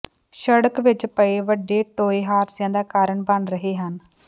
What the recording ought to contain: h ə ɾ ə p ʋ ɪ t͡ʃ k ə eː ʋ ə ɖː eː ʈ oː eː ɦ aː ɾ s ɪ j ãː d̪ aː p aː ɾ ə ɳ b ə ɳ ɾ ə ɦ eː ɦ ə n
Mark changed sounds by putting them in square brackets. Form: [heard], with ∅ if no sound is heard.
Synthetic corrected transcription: [ʃ] ə [ɽ] ə [k] ʋ ɪ t͡ʃ [p] ə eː ʋ ə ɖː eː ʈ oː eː ɦ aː ɾ s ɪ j ãː d̪ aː [k] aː ɾ ə ɳ b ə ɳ ɾ ə ɦ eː ɦ ə n